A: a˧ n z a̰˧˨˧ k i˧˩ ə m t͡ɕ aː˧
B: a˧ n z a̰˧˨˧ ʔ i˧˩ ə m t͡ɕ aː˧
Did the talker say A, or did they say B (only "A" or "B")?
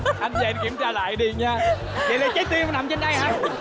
A